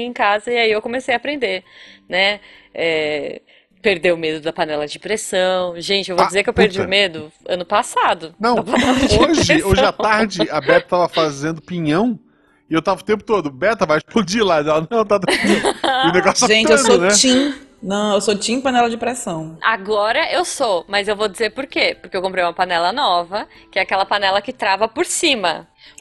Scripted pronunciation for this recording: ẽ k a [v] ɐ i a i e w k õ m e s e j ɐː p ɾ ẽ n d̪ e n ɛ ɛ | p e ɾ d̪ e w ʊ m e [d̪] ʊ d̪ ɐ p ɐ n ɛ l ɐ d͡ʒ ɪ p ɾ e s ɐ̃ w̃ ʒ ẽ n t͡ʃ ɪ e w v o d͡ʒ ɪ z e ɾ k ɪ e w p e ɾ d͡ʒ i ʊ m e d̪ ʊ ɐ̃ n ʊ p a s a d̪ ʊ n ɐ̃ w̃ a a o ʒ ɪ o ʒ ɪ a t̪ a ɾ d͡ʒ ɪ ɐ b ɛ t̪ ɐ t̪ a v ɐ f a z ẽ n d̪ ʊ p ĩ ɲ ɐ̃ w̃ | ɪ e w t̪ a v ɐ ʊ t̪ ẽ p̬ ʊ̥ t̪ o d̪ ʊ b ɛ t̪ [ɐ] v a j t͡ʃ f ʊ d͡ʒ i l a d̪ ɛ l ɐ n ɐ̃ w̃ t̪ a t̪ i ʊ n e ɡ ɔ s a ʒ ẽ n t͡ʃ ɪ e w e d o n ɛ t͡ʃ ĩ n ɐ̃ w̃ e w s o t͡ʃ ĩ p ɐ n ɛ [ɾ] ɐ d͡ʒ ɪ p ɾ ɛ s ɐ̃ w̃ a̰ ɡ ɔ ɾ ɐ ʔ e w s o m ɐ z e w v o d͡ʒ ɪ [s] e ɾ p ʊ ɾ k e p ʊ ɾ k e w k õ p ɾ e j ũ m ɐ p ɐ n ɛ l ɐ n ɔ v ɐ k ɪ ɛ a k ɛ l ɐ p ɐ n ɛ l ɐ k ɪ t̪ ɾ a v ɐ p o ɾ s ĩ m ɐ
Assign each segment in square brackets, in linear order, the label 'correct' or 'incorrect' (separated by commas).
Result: incorrect, correct, correct, incorrect, incorrect